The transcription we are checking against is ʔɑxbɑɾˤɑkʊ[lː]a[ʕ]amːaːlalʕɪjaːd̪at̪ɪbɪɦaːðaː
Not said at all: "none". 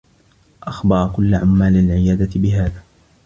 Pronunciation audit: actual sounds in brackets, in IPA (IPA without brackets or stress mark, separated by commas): lː, ʕ